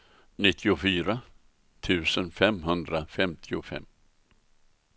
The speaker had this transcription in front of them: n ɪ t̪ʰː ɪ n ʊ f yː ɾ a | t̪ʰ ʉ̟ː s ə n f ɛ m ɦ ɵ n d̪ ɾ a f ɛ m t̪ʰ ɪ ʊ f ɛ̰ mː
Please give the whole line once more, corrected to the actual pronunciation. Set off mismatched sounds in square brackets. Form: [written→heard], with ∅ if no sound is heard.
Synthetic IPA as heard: n ɪ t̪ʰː ɪ [n→∅] ʊ f yː ɾ a | t̪ʰ ʉ̟ː s ə n f ɛ m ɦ ɵ n d̪ ɾ a f ɛ m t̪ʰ ɪ ʊ f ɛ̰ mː

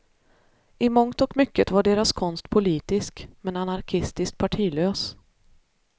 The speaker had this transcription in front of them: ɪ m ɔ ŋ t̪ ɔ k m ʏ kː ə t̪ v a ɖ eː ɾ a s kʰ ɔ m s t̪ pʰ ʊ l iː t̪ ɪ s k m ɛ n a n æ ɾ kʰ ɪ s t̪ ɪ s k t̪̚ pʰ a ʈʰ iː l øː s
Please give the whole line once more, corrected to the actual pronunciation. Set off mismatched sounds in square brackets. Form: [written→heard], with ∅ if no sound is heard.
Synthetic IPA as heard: ɪ m ɔ ŋ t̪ ɔ k m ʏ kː ə t̪ v a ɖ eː ɾ a s kʰ ɔ [m→n] s t̪ pʰ ʊ l iː t̪ ɪ s k m ɛ n a n [æ→a] ɾ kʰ ɪ s t̪ ɪ s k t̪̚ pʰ a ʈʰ iː l øː s

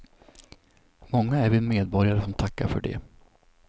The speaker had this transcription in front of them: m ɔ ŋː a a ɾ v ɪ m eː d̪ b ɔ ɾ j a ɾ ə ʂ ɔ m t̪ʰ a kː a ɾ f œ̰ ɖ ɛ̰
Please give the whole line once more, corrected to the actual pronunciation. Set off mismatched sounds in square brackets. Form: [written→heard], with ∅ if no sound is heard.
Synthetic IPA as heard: m ɔ ŋː a [a→æ] ɾ v ɪ m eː d̪ b ɔ ɾ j a ɾ ə [ʂ→s] ɔ m t̪ʰ a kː a ɾ f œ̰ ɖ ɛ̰

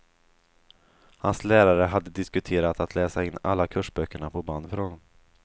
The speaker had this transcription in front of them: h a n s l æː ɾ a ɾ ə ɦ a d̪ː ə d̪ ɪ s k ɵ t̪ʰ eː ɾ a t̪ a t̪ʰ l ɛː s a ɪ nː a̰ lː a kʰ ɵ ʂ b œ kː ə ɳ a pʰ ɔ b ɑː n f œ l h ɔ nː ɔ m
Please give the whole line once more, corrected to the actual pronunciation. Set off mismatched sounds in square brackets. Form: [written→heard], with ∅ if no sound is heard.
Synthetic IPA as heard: h a n s l æː ɾ a ɾ ə ɦ a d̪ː ə d̪ ɪ s k ɵ t̪ʰ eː ɾ a t̪ a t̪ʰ l ɛː s a ɪ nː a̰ lː a kʰ ɵ ʂ b œ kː ə ɳ a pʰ ɔ b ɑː n f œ [l→ɾ] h ɔ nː ɔ m

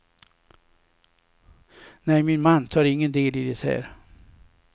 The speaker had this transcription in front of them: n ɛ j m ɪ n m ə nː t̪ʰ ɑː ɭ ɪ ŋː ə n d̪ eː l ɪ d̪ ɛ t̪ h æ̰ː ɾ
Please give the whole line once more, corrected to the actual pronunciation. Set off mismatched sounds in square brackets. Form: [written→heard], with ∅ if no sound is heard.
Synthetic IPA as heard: n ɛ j m ɪ n m [ə→a] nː t̪ʰ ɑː [ɭ→ɾ] ɪ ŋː ə n d̪ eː l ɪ d̪ ɛ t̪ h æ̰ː ɾ

